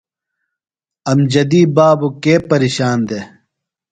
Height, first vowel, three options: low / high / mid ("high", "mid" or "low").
low